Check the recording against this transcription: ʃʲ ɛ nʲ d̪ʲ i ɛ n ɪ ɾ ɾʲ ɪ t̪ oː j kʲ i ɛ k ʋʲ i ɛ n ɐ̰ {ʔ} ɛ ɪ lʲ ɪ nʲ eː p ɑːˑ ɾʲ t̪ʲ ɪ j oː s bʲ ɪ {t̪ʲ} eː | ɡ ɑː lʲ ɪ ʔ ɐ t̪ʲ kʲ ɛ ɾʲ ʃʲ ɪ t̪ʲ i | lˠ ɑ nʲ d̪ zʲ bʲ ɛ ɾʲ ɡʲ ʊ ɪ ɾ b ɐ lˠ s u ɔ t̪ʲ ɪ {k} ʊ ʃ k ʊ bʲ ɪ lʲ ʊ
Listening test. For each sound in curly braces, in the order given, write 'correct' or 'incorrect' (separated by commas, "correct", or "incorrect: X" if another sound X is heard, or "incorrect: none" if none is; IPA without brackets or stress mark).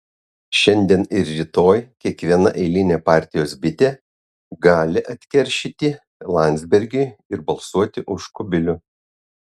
correct, correct, incorrect: ʔ